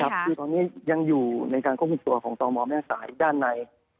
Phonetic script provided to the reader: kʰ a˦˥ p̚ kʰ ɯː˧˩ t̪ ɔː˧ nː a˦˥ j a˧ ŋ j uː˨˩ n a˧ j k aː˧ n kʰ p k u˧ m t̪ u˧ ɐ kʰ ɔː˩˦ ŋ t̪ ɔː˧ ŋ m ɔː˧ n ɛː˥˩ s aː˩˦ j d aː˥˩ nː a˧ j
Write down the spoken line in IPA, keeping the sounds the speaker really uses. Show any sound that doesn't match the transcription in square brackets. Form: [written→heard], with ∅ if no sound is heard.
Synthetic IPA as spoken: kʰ a˦˥ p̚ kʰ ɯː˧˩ t̪ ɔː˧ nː [a˦˥→i˦˥] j a˧ ŋ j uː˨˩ n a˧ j k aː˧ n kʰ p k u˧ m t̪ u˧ ɐ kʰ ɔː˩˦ ŋ t̪ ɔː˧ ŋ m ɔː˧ [n→m] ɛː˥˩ s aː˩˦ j d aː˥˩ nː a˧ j